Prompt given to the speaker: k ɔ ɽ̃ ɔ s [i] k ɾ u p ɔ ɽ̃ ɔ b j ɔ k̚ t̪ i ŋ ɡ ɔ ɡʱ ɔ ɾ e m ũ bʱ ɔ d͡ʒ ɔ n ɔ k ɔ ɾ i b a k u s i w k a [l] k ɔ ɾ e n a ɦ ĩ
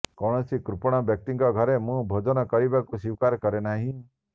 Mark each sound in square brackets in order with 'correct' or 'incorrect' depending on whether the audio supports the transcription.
correct, incorrect: ɾ

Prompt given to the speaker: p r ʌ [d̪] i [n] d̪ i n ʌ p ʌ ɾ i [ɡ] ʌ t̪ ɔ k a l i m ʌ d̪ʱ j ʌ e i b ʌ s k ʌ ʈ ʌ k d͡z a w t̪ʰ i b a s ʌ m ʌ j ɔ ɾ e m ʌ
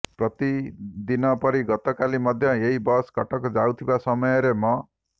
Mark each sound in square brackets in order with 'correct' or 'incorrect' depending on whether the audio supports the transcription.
incorrect: t̪, incorrect: none, correct

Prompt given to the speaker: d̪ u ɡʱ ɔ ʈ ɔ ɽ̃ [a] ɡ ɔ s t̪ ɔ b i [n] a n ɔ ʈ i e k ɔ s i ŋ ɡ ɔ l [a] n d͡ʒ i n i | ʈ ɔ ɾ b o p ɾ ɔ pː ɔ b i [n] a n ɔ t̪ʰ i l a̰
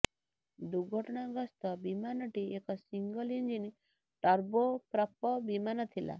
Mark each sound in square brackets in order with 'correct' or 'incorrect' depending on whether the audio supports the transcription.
correct, incorrect: m, incorrect: i, incorrect: m

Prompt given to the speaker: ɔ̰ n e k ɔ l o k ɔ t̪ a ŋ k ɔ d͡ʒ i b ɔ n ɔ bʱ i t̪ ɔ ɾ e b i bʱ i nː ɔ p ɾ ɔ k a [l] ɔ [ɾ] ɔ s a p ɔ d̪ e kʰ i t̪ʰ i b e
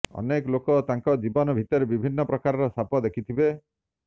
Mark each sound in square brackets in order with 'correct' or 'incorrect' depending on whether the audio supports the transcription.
incorrect: ɾ, correct

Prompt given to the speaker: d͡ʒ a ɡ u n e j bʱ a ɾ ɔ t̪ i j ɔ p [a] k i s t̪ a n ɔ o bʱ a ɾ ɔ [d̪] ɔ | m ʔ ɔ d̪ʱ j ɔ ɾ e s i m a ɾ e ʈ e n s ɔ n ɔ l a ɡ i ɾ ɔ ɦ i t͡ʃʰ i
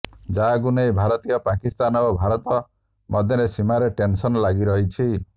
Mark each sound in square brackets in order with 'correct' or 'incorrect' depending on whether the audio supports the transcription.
correct, incorrect: t̪

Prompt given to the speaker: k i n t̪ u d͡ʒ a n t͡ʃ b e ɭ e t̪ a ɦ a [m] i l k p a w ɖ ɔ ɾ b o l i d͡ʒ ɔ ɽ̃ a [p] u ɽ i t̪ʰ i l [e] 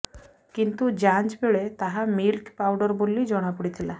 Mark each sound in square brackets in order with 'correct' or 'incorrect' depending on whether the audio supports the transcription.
correct, correct, incorrect: a

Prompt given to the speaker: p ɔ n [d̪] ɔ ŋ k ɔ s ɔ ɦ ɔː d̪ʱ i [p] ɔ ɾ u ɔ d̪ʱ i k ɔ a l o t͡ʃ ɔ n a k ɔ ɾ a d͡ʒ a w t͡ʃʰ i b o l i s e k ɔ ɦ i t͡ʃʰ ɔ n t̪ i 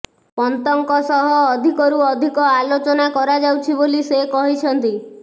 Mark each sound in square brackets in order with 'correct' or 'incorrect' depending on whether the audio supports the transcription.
incorrect: t̪, incorrect: k

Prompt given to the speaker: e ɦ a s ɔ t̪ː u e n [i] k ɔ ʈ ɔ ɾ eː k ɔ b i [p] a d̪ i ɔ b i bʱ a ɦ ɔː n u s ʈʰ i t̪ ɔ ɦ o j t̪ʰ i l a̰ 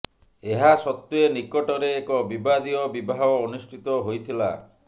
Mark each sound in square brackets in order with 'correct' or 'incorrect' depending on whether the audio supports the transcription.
correct, incorrect: b

